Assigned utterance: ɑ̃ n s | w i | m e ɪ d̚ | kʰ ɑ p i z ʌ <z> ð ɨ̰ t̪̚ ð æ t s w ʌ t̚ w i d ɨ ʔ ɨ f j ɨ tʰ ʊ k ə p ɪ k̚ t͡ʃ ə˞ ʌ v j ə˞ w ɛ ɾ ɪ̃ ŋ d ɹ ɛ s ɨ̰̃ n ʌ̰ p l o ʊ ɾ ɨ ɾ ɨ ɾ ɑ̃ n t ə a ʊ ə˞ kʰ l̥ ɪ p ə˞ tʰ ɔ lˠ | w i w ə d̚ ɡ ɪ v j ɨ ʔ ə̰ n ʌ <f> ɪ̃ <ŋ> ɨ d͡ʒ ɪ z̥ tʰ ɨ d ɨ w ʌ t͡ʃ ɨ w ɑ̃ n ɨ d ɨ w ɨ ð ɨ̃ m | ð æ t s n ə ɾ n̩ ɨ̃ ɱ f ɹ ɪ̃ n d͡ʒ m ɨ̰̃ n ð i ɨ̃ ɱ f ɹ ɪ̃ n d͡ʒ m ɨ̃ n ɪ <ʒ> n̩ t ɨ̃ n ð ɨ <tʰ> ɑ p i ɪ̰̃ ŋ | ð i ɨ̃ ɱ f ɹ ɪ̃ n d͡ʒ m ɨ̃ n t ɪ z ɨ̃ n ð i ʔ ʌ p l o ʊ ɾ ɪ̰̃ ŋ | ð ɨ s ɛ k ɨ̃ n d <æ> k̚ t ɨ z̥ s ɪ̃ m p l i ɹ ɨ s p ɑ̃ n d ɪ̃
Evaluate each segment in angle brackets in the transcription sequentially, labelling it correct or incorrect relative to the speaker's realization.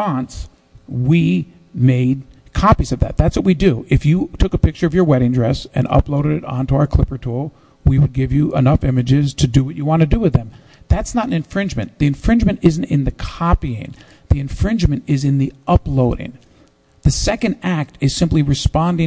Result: incorrect: v, correct, incorrect: m, incorrect: z, incorrect: kʰ, correct

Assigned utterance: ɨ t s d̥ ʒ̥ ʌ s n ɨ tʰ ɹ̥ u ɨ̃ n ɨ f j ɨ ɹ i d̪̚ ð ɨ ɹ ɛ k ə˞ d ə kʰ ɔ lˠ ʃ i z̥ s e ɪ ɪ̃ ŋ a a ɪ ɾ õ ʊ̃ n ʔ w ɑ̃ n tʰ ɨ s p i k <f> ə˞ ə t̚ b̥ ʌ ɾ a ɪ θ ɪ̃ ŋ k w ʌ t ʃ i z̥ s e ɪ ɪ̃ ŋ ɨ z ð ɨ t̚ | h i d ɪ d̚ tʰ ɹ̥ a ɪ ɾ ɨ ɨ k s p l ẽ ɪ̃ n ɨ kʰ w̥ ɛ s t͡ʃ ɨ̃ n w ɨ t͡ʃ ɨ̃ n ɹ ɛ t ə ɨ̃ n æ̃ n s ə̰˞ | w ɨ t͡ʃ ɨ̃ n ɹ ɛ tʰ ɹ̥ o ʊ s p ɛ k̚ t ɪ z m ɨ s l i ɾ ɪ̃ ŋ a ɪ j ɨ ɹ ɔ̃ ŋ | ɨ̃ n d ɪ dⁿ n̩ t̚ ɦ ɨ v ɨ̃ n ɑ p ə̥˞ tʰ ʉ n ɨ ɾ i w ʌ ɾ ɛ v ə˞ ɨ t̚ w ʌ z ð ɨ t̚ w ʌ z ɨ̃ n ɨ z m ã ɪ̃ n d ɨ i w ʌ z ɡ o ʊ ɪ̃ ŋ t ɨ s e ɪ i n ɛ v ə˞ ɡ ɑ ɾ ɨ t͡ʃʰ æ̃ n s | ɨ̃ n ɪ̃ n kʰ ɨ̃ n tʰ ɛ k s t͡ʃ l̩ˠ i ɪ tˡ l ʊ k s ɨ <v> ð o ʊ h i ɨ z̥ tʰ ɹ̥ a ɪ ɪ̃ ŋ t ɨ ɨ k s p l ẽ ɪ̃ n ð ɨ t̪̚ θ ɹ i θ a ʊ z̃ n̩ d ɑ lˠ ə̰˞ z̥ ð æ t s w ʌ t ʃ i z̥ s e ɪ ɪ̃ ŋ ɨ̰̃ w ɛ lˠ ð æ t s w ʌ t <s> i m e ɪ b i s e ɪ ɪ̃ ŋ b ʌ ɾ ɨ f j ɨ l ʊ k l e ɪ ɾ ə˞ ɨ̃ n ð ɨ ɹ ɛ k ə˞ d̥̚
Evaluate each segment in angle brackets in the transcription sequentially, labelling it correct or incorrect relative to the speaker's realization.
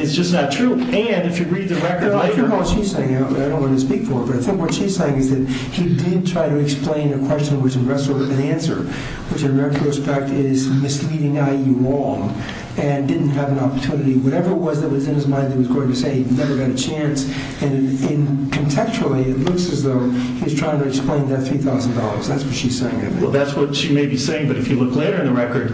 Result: correct, incorrect: z, incorrect: ʃ

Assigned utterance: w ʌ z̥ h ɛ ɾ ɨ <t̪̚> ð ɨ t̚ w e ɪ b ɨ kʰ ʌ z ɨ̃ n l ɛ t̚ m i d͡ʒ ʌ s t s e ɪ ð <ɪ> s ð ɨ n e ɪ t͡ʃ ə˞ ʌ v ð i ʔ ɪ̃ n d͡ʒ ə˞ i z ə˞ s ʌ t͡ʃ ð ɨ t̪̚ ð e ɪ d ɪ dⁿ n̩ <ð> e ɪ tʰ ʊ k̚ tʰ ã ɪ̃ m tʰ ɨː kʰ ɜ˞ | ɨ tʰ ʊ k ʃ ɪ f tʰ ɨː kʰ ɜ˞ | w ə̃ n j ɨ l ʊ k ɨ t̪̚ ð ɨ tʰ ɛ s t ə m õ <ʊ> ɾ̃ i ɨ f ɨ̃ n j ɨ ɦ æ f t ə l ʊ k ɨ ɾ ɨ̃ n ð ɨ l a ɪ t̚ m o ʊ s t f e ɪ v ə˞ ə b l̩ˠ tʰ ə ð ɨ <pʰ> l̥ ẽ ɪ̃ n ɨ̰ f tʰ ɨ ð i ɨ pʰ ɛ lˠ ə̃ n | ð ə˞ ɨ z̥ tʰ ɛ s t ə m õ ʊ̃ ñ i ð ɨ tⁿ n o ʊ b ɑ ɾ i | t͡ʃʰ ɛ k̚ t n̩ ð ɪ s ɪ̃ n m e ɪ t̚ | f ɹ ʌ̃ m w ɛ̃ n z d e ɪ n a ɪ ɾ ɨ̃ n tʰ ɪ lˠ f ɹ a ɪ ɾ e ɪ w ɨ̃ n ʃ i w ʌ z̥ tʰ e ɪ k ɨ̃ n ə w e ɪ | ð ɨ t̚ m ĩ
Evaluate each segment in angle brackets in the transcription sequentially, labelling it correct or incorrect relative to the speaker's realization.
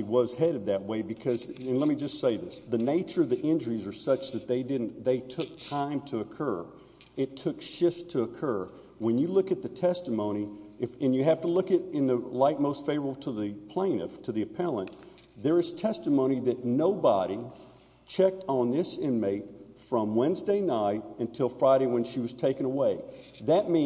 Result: incorrect: d̪̚, correct, correct, incorrect: ʊ̃, correct

